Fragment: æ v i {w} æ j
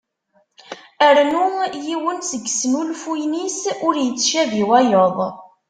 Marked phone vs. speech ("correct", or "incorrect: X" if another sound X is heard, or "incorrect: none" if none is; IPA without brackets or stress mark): correct